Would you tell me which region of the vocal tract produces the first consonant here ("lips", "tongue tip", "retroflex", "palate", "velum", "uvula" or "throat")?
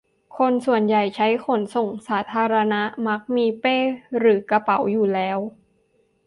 velum